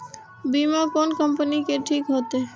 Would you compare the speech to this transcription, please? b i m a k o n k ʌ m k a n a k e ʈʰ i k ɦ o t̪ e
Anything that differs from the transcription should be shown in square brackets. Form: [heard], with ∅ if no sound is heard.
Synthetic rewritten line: b i m a k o n k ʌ m [p] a n [i] k e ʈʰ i k ɦ o t̪ e